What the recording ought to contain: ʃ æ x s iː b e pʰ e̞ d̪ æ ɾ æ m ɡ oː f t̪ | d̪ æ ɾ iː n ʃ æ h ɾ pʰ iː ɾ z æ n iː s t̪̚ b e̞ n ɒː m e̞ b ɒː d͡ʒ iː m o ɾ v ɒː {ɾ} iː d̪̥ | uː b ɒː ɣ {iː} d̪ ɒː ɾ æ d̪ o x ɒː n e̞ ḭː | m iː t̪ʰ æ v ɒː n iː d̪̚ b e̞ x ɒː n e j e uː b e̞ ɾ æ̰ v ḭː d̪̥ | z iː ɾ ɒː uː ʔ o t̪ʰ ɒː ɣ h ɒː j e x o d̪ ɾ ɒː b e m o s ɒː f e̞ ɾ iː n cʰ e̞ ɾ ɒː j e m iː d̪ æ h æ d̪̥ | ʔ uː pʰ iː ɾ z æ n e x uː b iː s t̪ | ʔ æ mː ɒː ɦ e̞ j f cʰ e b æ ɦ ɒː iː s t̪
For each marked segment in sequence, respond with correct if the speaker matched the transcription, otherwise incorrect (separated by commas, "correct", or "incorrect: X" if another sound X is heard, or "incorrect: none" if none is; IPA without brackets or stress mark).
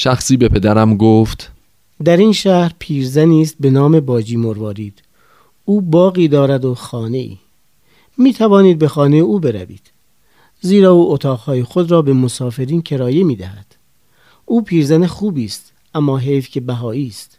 correct, correct